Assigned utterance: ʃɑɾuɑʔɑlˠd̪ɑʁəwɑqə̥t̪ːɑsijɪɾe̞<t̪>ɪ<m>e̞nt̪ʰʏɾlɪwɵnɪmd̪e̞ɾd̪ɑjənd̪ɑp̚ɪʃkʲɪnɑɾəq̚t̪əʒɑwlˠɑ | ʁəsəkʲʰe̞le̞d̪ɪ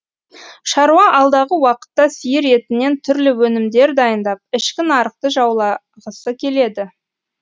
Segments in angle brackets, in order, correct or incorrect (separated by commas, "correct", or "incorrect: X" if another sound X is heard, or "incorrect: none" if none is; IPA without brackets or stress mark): correct, incorrect: n